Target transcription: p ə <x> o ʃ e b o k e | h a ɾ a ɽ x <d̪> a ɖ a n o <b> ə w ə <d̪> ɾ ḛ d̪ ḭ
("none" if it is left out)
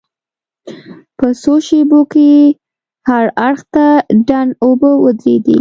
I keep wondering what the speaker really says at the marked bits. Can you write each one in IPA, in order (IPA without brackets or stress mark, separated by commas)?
s, t̪, b, d̪